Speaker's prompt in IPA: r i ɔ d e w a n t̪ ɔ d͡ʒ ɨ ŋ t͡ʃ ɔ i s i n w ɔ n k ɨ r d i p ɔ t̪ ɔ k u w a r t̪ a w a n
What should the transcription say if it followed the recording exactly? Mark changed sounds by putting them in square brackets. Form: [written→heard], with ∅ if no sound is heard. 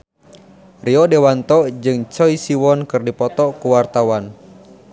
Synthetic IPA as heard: r i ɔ d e w a n t̪ ɔ d͡ʒ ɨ ŋ t͡ʃ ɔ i s i [n→∅] w ɔ n k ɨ r d i p ɔ t̪ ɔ k u w a r t̪ a w a n